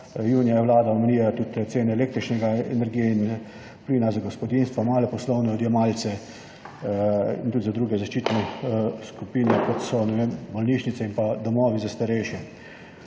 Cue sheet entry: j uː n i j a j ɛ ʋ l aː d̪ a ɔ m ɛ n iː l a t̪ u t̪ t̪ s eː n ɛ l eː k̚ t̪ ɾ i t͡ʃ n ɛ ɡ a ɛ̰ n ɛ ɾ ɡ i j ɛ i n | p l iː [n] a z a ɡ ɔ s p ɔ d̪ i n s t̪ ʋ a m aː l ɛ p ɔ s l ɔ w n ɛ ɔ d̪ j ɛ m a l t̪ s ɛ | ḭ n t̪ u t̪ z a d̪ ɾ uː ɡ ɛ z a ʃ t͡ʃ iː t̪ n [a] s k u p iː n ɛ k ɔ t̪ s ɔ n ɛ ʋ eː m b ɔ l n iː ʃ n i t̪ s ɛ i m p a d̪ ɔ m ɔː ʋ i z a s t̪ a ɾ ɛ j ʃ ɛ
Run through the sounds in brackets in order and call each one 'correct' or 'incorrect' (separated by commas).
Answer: correct, incorrect